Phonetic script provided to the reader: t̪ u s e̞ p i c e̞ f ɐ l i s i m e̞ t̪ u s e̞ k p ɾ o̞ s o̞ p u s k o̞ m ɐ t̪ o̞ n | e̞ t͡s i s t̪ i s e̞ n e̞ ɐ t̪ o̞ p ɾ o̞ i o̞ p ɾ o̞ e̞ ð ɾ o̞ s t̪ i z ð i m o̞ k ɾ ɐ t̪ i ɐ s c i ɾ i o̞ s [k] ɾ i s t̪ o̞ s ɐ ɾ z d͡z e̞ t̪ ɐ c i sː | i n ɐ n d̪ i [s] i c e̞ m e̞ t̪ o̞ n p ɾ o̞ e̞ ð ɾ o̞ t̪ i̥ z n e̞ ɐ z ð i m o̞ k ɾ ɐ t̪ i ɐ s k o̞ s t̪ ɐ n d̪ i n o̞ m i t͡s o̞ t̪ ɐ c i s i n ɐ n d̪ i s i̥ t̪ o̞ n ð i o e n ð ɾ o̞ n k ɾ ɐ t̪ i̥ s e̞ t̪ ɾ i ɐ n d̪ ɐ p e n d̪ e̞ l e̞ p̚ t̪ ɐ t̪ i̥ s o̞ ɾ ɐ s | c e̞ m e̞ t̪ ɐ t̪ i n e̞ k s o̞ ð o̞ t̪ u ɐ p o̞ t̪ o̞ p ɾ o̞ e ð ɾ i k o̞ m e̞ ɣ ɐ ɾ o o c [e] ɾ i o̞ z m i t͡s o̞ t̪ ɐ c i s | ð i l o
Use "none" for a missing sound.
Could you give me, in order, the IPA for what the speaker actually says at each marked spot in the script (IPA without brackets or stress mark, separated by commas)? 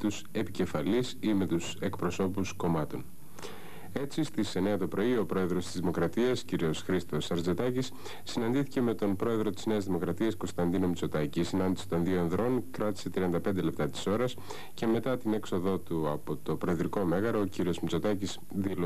x, θ, i